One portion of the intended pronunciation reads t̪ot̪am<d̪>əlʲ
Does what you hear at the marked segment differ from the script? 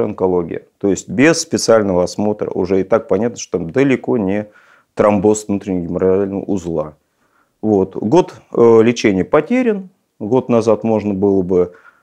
no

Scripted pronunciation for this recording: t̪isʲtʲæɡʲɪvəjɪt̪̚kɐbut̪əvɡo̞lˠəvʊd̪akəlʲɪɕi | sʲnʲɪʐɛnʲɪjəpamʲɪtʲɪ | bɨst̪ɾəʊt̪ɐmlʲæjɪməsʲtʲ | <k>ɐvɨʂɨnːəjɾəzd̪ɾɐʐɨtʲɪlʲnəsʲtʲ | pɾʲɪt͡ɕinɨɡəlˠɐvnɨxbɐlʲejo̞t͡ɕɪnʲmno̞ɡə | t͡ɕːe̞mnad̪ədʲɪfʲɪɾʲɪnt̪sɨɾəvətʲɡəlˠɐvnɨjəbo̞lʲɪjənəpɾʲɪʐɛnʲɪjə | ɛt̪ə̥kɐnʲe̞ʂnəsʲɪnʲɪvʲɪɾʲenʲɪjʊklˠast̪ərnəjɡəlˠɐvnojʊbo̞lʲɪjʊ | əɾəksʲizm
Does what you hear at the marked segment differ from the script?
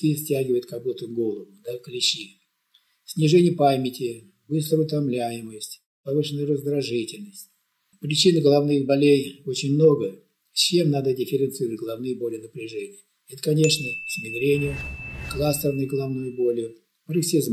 yes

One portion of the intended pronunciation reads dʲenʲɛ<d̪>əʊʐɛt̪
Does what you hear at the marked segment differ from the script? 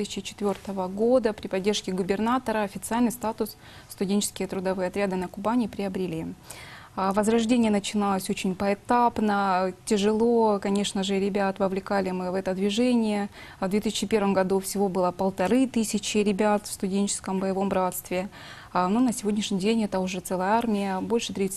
yes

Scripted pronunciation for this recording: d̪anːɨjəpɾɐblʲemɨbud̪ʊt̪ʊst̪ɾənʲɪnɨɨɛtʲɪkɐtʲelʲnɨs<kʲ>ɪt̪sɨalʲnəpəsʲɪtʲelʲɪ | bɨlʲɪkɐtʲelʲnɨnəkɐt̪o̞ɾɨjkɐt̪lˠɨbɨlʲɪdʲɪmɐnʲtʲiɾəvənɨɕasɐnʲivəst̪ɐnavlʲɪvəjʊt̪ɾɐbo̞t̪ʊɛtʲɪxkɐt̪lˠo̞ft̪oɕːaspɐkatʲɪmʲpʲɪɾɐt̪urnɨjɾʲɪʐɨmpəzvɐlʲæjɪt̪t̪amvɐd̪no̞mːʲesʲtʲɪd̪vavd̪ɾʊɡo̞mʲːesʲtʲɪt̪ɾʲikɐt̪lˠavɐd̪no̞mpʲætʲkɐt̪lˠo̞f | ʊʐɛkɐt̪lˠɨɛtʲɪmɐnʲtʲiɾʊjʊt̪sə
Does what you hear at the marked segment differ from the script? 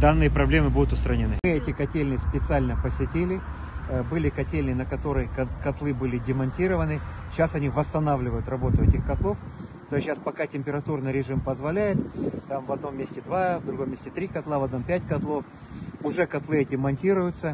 yes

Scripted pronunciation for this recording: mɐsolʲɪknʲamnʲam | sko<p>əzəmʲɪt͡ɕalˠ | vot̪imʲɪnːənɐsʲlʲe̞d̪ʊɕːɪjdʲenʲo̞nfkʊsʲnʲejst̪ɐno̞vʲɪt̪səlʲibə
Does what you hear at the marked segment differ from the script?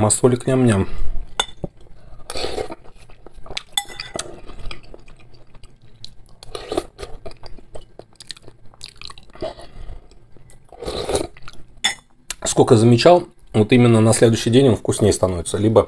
yes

